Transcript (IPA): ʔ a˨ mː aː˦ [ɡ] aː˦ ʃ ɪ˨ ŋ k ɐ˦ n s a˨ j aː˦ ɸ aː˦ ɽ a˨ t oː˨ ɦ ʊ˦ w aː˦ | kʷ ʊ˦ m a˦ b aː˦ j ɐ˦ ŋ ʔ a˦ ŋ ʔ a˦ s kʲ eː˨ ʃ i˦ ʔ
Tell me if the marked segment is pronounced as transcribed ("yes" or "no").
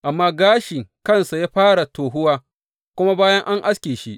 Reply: yes